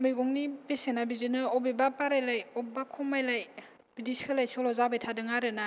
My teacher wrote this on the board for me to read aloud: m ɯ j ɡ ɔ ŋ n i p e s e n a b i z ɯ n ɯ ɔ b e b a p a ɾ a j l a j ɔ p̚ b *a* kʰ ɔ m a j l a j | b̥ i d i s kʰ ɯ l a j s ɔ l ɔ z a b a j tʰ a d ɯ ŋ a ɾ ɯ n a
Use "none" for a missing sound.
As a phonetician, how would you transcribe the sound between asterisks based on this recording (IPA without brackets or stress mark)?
a